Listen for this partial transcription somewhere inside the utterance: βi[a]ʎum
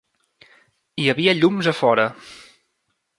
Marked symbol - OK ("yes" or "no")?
no